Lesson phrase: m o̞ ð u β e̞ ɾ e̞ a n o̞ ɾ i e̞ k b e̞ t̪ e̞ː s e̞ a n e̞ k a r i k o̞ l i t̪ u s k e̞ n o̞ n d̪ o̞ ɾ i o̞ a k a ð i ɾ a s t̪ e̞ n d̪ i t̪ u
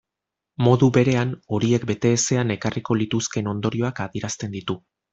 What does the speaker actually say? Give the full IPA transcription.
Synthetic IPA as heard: m o̞ ð u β e̞ ɾ e̞ a n o̞ ɾ i e̞ k b e̞ t̪ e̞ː s e̞ a n e̞ k a r i k o̞ l i t̪ u s k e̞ n o̞ n d̪ o̞ ɾ i o̞ a k a ð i ɾ a s t̪ e̞ n d̪ i t̪ u